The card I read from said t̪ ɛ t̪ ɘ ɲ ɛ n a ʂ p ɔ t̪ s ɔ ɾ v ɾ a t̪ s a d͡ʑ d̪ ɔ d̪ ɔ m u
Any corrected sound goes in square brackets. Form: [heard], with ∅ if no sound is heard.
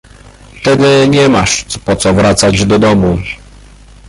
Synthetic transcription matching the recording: t̪ ɛ [d̪] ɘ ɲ ɛ [m] a ʂ p ɔ t̪ s ɔ [∅] v ɾ a t̪ s a d͡ʑ d̪ ɔ d̪ ɔ m u